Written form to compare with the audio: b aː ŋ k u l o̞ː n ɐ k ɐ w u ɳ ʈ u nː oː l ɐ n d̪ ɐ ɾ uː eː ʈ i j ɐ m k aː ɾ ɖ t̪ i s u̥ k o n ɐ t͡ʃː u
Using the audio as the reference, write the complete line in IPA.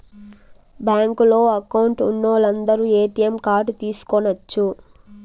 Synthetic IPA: b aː ŋ k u l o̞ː ɐ k ɐ w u ɳ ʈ u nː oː l ɐ n d̪ ɐ ɾ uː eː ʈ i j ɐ m k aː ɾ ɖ t̪ iː s u̥ k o n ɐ t͡ʃː u

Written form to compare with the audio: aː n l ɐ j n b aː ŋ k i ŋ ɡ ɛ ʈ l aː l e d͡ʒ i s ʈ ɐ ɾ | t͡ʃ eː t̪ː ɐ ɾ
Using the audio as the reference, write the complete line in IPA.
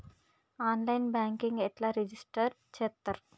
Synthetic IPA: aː n l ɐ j n b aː ŋ k i ŋ ɡ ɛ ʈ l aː ɾ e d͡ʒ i s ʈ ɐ ɾ | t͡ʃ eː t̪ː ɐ ɾ

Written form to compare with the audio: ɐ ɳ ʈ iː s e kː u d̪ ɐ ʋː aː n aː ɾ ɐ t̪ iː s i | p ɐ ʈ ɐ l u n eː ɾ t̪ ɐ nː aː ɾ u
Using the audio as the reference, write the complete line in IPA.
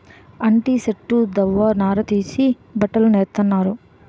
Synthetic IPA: ɐ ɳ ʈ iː s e ʈː u d̪ ɐ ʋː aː n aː ɾ ɐ t̪ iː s i | b ɐ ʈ ɐ l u n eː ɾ t̪ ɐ nː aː ɾ u

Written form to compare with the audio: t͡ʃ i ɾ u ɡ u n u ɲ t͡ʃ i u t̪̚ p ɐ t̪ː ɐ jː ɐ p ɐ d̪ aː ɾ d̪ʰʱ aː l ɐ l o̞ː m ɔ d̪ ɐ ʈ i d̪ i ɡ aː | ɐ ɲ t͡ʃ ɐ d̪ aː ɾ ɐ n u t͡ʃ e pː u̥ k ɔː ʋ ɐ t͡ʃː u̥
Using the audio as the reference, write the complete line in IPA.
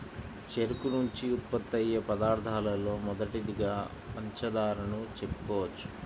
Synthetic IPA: t͡ʃ e ɾ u k u n u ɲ t͡ʃ i u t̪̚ p ɐ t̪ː ɐ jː ɐ p ɐ d̪ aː ɾ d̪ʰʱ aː l ɐ l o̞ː m ɔ d̪ ɐ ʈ i d̪ i ɡ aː | ɐ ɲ t͡ʃ ɐ d̪ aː ɾ ɐ n u t͡ʃ e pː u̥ k ɔː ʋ ɐ t͡ʃː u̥

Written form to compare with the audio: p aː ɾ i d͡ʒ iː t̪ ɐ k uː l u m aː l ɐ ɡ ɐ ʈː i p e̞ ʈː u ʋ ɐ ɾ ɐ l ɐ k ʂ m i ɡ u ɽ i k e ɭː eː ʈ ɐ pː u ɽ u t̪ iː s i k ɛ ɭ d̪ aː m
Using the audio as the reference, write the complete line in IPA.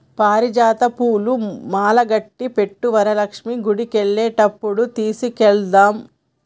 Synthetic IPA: p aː ɾ i d͡ʒ aː t̪ ɐ p uː l u m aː l ɐ ɡ ɐ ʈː i p e̞ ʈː u ʋ ɐ ɾ ɐ l ɐ k ʂ m i ɡ u ɽ i k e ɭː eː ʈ ɐ pː u ɽ u t̪ iː s i k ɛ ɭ d̪ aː m

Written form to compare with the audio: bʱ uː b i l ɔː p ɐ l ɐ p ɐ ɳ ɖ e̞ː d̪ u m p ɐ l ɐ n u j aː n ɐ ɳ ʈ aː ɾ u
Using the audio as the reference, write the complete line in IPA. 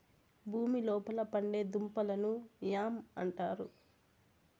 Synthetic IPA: bʱ uː m i l ɔː p ɐ l ɐ p ɐ ɳ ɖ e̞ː d̪ u m p ɐ l ɐ n u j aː m ɐ ɳ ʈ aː ɾ u

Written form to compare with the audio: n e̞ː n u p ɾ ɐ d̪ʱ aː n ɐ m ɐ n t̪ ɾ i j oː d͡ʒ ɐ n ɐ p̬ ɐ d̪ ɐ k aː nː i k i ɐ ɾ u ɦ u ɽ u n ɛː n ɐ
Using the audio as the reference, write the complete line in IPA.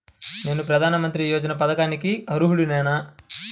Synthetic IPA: n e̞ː n u p ɾ ɐ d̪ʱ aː n ɐ m ɐ n t̪ ɾ i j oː d͡ʒ ɐ n ɐ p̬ ɐ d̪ ɐ k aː n i k i ɐ ɾ u ɦ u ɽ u n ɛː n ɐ

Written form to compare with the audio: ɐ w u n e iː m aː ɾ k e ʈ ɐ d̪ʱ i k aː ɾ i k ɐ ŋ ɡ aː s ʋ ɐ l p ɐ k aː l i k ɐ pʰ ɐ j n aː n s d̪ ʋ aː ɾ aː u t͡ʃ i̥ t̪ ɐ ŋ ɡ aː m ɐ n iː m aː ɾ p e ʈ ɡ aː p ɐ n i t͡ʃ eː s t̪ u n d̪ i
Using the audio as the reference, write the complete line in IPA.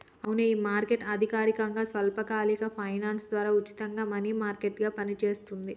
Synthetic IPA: ɐ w u n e iː m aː ɾ k e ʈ ɐ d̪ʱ i k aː ɾ i k ɐ ŋ ɡ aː s ʋ ɐ l p ɐ k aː l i k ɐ pʰ ɐ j n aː n s d̪ ʋ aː ɾ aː u t͡ʃ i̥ t̪ ɐ ŋ ɡ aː m ɐ n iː m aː ɾ k e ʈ ɡ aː p ɐ n i t͡ʃ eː s t̪ u n d̪ i

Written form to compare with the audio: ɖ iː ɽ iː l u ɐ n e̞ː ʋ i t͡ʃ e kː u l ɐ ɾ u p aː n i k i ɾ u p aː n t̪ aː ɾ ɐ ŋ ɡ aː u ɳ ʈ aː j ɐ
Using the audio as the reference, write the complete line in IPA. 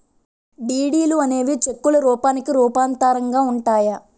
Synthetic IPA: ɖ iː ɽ iː l u ɐ n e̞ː ʋ i t͡ʃ e kː u l ɐ ɾ uː p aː n i k i ɾ uː p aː n t̪ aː ɾ ɐ ŋ ɡ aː u ɳ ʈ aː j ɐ

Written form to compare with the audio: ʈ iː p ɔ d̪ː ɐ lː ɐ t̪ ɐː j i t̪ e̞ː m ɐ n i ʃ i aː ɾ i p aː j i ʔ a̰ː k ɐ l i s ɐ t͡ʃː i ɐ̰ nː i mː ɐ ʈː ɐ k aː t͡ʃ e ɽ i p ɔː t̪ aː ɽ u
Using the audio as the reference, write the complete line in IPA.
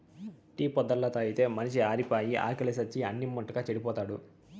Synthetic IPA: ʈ iː p ɔ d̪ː ɐ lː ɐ t̪ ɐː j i t̪ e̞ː m ɐ n i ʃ i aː ɾ i p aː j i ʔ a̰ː k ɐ l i s ɐ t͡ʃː i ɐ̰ nː i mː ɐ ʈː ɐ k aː t͡ʃ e ɽ i p ɔː t̪ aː ɽ u

